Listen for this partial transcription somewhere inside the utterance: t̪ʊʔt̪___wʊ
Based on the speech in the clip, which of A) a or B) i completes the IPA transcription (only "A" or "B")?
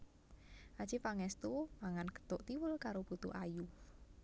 B